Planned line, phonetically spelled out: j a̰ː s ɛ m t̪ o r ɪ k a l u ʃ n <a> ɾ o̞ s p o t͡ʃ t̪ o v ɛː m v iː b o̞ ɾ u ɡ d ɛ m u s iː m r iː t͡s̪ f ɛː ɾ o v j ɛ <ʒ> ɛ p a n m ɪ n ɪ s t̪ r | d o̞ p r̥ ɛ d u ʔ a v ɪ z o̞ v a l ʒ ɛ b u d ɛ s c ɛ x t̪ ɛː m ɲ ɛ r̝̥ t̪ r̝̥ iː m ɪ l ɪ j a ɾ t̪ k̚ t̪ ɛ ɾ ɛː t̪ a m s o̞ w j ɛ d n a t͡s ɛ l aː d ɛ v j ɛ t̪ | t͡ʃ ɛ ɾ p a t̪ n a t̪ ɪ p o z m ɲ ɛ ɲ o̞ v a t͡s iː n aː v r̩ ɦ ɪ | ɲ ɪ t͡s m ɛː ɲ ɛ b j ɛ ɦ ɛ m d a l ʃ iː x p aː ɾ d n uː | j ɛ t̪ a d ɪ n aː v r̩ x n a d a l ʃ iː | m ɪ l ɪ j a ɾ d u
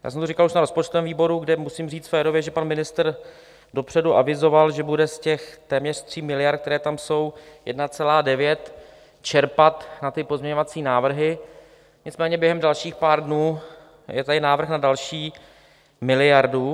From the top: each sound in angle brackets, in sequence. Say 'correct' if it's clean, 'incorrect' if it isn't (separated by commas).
correct, correct